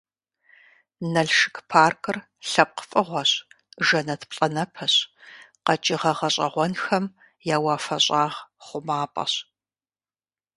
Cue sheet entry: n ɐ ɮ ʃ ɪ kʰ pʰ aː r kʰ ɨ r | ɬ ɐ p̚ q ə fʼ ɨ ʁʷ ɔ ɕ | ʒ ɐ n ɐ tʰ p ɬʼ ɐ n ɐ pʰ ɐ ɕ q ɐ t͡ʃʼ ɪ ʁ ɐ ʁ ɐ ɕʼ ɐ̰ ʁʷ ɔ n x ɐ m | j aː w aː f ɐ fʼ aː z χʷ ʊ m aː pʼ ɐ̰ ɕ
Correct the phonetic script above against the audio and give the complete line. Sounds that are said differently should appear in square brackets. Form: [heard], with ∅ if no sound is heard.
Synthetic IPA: n ɐ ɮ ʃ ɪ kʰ pʰ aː r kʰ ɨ r | ɬ ɐ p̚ q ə fʼ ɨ ʁʷ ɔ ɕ | ʒ ɐ n ɐ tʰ p ɬʼ ɐ n ɐ pʰ ɐ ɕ q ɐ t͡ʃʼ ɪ ʁ ɐ ʁ ɐ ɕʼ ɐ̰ ʁʷ ɔ n x ɐ m | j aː w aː f ɐ [ɕʼ] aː [ʁ] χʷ ʊ m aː pʼ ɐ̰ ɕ